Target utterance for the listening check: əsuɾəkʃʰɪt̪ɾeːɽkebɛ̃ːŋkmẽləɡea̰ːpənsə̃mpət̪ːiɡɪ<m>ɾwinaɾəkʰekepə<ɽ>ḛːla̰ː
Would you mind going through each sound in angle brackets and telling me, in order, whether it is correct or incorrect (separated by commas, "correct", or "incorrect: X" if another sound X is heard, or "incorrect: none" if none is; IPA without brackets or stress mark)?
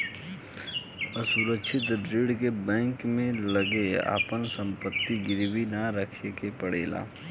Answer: incorrect: none, correct